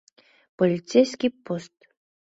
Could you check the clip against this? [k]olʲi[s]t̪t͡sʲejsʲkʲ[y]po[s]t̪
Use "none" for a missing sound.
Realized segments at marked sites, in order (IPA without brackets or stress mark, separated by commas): p, none, i, s